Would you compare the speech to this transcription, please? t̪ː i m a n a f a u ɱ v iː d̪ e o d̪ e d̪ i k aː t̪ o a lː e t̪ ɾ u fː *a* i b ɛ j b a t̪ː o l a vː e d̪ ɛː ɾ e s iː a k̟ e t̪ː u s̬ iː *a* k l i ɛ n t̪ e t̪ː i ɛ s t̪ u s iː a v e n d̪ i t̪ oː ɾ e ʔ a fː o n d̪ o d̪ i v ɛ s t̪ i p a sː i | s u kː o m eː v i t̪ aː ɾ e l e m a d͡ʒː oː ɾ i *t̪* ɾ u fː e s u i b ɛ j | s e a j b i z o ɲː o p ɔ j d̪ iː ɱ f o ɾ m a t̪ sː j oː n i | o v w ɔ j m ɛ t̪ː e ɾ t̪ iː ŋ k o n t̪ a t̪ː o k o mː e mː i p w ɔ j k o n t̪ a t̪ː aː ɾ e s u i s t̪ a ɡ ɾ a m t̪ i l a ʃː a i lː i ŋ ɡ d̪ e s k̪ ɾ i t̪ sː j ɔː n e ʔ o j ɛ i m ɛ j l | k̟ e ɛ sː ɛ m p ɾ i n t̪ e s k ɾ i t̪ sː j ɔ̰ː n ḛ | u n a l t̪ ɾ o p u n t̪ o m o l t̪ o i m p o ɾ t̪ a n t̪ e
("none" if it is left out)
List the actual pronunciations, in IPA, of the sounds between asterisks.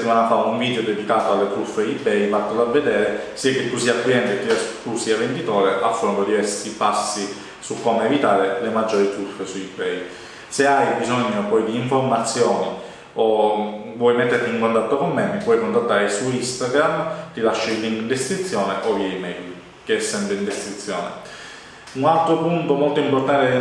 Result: e, a, t̪

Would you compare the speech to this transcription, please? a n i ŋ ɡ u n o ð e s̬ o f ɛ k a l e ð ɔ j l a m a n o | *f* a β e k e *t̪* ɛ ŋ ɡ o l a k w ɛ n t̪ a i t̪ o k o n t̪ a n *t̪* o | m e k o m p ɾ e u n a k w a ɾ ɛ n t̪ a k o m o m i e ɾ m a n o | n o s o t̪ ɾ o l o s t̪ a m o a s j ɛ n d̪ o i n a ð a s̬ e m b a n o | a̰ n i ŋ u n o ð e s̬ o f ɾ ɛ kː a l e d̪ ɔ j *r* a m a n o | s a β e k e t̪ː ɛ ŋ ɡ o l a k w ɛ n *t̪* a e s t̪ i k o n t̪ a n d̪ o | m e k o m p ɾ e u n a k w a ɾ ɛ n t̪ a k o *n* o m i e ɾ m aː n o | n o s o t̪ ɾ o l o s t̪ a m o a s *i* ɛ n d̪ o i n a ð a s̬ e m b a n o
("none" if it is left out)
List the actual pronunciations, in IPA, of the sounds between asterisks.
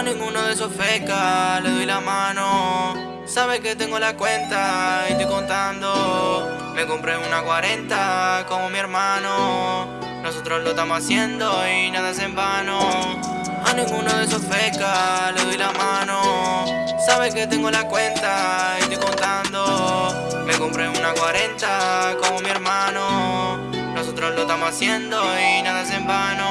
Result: s, t̪, d̪, l, t̪, m, j

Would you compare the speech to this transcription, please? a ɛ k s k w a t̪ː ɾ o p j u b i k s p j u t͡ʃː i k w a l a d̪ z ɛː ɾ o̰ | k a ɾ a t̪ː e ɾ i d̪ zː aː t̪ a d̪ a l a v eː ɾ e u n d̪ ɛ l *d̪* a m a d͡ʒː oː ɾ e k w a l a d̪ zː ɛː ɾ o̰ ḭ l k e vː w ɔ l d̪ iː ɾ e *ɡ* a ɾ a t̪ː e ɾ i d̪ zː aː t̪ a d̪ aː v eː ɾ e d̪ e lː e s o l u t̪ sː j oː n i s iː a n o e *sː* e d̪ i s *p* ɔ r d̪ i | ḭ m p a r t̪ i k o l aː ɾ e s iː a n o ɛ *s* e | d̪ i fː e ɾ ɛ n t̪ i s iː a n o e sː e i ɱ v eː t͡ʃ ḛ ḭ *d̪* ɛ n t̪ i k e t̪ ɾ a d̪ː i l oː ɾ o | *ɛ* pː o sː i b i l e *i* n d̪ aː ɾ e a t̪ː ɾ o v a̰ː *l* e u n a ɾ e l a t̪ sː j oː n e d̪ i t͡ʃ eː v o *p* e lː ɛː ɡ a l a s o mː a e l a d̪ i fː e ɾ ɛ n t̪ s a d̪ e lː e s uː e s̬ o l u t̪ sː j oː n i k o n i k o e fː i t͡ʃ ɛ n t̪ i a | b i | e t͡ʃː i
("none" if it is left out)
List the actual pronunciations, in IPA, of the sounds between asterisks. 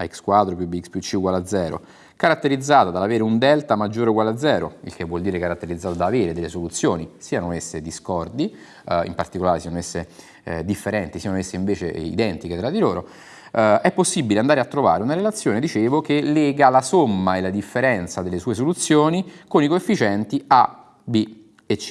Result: t̪, k, sː, k, sː, d̪, ɛ, a, ɾ, k

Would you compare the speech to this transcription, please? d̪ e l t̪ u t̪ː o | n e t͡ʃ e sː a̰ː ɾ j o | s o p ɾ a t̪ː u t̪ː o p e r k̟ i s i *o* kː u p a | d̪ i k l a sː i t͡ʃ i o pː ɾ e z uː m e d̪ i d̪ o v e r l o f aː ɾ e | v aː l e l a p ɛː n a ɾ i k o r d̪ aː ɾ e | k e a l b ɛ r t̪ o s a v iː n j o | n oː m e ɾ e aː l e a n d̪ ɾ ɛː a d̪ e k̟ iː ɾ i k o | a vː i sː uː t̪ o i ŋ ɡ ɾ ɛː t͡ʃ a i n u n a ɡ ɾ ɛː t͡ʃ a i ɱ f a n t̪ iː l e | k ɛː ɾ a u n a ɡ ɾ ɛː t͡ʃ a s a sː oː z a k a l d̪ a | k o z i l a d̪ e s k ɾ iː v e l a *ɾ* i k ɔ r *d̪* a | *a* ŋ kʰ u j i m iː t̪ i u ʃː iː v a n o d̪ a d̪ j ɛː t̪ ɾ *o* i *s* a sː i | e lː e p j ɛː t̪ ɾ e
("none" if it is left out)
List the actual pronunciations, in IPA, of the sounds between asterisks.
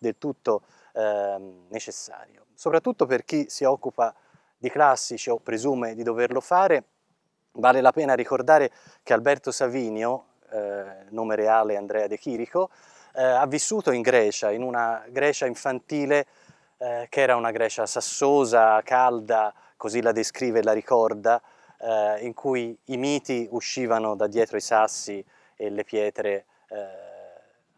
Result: ɔ, ɾ, d̪, i, o, s

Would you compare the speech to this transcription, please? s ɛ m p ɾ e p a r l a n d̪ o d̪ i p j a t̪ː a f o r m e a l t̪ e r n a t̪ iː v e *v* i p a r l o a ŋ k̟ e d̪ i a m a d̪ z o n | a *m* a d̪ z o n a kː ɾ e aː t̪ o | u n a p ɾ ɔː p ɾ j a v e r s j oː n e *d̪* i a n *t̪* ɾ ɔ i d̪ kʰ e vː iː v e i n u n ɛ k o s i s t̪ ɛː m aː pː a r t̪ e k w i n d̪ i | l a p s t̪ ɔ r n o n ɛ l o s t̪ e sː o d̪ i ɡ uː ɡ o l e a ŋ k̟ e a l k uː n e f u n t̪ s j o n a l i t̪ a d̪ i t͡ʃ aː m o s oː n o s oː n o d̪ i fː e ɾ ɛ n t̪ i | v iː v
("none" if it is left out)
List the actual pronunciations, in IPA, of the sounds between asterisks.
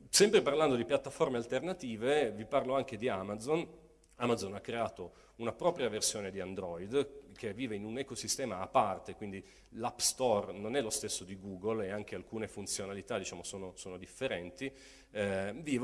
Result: v, m, d̪, d̪

